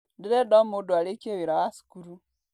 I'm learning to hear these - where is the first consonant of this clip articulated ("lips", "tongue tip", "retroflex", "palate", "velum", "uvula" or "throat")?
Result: tongue tip